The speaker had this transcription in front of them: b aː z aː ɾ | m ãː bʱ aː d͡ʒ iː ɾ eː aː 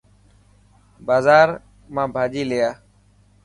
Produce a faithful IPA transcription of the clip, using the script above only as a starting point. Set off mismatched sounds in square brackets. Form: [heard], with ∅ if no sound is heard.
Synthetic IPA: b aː z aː ɾ | m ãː bʱ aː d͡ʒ iː [l] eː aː